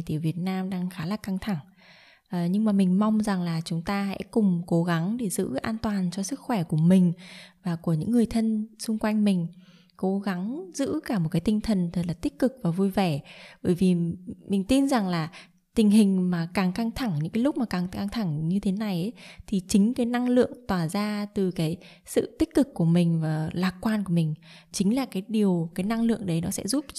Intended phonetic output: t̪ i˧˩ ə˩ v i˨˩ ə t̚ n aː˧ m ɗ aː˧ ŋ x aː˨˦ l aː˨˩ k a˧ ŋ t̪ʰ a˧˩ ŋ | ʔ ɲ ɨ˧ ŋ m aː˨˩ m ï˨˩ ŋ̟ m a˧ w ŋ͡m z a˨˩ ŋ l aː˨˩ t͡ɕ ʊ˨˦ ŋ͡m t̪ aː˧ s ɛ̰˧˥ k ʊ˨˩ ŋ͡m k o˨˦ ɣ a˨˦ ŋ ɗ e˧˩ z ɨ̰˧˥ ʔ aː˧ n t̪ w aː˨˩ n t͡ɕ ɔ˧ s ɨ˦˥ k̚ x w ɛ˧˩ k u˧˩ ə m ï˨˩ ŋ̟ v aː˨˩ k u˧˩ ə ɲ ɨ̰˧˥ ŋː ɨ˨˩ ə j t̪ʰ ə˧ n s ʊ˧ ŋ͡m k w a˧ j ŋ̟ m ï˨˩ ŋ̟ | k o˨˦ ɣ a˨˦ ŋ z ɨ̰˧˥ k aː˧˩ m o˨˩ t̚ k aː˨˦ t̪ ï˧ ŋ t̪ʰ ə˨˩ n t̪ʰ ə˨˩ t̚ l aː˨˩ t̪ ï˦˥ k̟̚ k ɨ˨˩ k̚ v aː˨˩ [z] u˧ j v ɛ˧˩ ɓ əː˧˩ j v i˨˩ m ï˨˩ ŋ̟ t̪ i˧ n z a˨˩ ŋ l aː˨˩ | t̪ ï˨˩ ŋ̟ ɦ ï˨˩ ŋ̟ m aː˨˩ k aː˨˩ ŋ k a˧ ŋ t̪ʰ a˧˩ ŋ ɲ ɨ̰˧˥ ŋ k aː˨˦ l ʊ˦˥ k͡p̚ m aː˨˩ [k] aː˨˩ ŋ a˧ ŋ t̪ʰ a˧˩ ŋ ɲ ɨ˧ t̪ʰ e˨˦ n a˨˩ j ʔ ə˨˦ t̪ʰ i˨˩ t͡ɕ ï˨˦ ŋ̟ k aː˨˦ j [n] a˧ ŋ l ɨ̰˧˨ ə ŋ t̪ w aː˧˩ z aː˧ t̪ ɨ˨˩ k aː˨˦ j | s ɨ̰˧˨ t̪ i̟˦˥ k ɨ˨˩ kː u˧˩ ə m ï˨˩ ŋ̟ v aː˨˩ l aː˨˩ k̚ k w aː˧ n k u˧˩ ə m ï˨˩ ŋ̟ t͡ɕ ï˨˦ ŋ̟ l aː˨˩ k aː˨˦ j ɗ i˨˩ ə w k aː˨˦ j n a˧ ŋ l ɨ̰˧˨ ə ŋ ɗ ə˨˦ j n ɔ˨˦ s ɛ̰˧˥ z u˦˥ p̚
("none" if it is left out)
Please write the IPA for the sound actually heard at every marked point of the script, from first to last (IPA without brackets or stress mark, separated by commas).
v, k, n